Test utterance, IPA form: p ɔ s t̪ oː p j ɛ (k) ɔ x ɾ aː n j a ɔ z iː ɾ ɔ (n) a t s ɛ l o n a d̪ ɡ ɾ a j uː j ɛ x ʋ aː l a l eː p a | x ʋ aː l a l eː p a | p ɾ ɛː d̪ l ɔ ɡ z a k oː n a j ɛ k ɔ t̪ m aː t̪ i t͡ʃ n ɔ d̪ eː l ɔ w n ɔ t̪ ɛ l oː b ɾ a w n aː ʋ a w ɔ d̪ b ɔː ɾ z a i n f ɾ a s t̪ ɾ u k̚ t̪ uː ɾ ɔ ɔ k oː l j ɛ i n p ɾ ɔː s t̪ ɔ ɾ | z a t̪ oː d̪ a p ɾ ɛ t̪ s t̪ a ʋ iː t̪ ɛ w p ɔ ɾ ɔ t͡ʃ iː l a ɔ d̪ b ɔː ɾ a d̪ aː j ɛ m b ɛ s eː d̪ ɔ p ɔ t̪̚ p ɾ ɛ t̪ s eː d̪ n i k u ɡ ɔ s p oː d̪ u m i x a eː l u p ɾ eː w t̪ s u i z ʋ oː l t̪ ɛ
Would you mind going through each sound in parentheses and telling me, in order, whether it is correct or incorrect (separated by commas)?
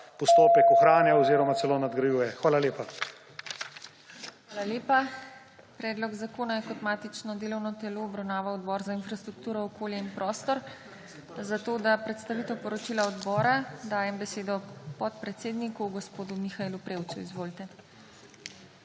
correct, incorrect